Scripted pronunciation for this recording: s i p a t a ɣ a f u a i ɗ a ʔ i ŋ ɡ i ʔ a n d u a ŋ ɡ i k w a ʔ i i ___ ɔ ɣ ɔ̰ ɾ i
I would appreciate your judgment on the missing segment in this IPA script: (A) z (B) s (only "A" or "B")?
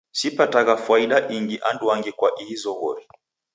A